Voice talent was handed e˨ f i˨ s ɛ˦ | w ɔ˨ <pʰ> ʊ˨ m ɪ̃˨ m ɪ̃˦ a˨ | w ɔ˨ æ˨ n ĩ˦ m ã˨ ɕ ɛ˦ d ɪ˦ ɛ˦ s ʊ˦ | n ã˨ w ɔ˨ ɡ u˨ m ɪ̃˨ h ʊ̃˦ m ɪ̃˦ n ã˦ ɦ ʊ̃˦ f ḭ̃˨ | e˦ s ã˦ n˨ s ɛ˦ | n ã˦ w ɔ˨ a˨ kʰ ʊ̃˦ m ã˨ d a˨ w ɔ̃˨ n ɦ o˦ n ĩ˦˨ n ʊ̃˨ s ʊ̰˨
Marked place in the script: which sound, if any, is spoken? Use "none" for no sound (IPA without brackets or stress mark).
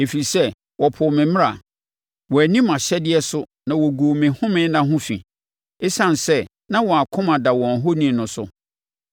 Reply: pʰ